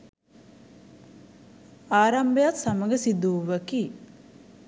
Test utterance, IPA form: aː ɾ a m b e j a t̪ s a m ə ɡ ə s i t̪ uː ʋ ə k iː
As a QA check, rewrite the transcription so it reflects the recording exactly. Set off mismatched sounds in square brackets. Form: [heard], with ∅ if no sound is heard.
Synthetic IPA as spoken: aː ɾ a m b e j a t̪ s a m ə ɡ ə s i [d̪] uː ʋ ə k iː